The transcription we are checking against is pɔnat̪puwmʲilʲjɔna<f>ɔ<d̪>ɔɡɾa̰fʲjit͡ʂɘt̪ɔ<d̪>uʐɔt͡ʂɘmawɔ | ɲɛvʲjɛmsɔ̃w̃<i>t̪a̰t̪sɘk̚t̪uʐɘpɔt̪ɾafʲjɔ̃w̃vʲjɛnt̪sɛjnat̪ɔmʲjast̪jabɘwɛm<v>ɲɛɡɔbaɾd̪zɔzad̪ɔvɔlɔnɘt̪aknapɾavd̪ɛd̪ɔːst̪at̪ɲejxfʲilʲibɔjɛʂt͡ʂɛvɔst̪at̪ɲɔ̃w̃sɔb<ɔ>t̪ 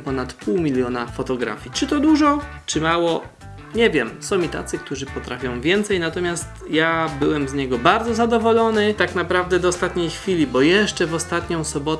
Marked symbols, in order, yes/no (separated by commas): yes, no, yes, yes, no, yes